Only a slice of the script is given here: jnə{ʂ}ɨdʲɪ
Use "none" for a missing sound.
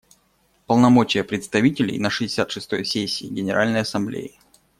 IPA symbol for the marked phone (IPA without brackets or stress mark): ʂ